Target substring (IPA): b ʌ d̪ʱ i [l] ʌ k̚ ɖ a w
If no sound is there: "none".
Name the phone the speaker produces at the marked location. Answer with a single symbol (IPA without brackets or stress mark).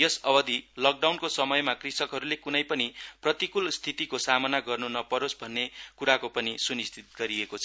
l